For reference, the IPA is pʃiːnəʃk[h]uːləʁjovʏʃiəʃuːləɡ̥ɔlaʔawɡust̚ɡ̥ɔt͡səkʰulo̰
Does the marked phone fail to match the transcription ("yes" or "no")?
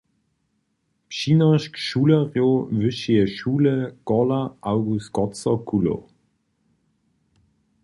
yes